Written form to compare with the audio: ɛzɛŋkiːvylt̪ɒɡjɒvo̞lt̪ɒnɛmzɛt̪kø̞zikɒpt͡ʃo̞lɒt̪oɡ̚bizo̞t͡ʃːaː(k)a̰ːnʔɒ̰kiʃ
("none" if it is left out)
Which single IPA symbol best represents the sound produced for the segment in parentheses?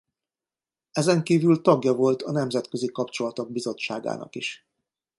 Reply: ɡ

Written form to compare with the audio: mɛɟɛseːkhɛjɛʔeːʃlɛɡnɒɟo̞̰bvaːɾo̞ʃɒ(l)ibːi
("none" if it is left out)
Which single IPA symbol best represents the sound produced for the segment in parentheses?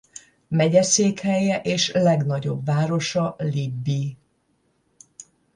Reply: l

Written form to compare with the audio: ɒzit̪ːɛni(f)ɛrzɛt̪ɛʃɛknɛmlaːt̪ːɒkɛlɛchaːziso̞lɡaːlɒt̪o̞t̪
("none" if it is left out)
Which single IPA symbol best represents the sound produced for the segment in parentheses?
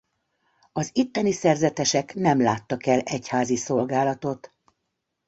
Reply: s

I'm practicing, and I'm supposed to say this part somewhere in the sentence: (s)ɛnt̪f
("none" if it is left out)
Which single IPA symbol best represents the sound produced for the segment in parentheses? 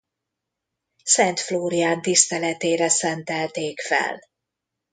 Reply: s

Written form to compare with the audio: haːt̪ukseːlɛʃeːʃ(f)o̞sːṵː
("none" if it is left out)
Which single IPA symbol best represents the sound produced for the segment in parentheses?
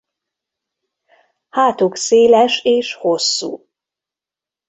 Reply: h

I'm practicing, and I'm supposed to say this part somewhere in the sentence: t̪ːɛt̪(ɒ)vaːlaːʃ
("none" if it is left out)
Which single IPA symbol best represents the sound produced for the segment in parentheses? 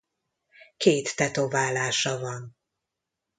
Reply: o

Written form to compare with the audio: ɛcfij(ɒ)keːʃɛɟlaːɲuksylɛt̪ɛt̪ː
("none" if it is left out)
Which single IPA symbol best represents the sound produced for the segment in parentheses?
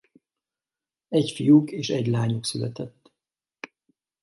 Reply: u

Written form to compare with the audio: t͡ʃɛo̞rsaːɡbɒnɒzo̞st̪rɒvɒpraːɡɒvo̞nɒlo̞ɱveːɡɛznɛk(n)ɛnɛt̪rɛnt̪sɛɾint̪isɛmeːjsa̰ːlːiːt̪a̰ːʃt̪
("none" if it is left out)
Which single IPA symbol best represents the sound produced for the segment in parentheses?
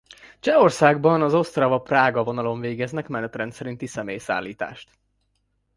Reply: m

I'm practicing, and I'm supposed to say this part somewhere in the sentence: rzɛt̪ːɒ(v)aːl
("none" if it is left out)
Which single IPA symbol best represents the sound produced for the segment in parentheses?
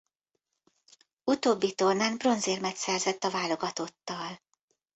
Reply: v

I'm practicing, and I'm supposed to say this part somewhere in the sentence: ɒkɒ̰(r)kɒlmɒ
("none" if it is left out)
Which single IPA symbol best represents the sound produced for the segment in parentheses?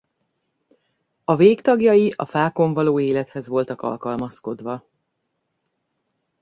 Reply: l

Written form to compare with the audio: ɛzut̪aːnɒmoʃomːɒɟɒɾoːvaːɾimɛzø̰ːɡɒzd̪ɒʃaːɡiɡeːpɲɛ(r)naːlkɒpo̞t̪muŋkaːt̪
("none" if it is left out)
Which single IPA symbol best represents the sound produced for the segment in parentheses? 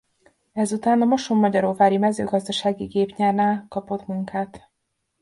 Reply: r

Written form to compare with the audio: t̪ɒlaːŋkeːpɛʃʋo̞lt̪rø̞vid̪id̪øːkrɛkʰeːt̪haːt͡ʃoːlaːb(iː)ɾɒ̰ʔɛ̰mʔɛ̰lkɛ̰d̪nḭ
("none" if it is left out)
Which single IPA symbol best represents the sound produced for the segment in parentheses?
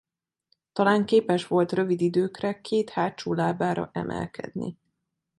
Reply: aː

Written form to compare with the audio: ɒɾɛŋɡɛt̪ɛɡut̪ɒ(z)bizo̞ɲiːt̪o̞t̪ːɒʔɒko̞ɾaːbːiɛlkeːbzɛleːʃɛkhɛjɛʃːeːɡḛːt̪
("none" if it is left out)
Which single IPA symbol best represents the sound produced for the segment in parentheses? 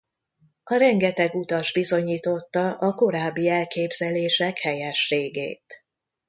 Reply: ʒ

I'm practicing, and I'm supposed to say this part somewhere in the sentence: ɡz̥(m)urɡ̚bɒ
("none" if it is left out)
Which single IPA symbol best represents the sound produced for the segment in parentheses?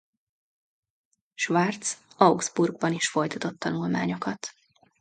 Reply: b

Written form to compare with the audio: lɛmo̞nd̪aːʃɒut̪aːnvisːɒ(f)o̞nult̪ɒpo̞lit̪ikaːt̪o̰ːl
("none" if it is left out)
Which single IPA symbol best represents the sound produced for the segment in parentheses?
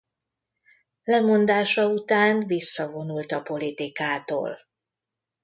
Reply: v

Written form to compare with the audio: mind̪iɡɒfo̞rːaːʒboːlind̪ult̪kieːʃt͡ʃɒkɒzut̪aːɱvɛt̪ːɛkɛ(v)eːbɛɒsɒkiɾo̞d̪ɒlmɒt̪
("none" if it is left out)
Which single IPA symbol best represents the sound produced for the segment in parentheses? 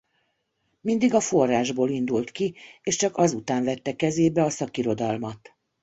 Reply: z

